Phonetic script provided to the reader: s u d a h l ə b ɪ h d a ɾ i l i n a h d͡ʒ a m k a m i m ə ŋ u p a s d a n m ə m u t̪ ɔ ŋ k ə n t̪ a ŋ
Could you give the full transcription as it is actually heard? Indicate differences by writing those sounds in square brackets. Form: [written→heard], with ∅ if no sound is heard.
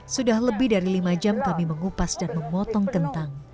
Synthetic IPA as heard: s u d a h l ə b ɪ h d a ɾ i l i [n→m] a [h→∅] d͡ʒ a m k a m i m ə ŋ u p a s d a n m ə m [u→ɔ] t̪ ɔ ŋ k ə n t̪ a ŋ